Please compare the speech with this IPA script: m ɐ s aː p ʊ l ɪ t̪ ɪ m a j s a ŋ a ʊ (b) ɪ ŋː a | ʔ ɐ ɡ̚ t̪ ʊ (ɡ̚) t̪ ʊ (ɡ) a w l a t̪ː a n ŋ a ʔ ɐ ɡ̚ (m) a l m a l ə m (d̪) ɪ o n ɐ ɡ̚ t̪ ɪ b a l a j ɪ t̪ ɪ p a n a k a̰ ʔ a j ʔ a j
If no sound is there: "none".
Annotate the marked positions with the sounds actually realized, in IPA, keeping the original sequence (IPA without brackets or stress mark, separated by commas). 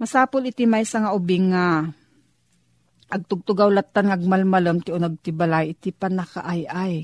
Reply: b, ɡ̚, ɡ, m, t̪